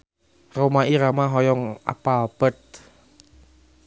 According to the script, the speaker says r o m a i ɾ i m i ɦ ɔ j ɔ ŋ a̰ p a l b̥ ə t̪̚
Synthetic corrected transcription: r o m a i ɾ a m a ɦ ɔ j ɔ ŋ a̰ p a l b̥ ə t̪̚